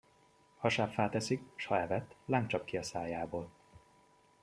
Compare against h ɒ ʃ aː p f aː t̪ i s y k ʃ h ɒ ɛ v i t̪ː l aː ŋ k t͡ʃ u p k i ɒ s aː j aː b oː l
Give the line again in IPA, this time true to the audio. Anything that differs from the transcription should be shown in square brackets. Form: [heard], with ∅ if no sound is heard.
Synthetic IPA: h ɒ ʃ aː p f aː t̪ [ɛ] s [i] k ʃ h ɒ ɛ v [ɛ] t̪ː l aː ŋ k t͡ʃ [ɒ] p k i ɒ s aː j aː b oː l

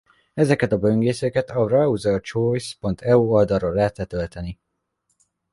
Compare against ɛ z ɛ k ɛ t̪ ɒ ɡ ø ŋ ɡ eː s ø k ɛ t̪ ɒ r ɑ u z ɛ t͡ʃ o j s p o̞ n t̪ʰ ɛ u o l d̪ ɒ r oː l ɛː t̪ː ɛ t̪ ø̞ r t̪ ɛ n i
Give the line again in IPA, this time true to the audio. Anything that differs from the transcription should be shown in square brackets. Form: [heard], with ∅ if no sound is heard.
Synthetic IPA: ɛ z ɛ k ɛ t̪ ɒ [b] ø ŋ ɡ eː s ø k ɛ t̪ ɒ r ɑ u z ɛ t͡ʃ o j s p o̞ n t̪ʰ ɛ u o l d̪ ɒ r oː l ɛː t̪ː ɛ t̪ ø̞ [l] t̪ ɛ n i

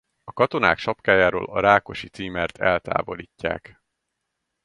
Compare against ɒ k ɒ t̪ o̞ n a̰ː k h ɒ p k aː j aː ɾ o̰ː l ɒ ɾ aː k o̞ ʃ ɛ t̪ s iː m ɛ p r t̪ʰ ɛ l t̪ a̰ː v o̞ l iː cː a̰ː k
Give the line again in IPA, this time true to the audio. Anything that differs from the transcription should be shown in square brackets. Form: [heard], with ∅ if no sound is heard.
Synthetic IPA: ɒ k ɒ t̪ o̞ n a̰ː k [ʃ] ɒ p k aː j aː ɾ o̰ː l ɒ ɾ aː k o̞ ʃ [i] t̪ s iː m ɛ [∅] r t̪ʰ ɛ l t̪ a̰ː v o̞ l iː cː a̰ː k

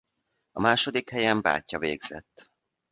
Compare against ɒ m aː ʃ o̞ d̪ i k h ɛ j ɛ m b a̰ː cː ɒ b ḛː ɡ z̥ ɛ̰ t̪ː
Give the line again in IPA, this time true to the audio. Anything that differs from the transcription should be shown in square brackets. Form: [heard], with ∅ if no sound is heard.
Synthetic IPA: ɒ m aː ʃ o̞ d̪ i k h ɛ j ɛ m b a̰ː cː ɒ [v] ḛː ɡ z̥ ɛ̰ t̪ː

